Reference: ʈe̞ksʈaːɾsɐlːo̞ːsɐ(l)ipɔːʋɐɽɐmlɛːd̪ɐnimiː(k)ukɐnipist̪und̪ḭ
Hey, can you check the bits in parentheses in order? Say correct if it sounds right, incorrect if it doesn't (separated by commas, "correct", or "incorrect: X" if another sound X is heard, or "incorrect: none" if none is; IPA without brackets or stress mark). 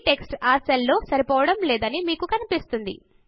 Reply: incorrect: ɾ, correct